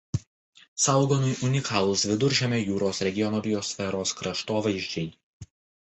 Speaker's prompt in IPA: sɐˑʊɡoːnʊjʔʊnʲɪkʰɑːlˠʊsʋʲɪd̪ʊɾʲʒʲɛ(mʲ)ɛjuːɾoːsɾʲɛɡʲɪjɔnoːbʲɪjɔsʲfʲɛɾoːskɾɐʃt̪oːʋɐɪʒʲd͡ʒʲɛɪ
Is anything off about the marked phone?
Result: no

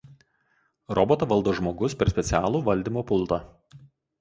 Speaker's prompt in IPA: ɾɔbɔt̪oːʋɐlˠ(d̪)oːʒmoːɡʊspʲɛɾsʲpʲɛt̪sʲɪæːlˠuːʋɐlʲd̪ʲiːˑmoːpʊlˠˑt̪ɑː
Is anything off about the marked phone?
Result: no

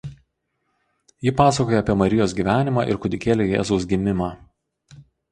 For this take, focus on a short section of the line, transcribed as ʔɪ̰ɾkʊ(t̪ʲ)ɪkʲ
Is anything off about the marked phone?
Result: yes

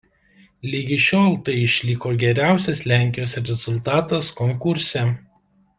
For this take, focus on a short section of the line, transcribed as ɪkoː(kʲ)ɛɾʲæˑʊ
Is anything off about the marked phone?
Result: yes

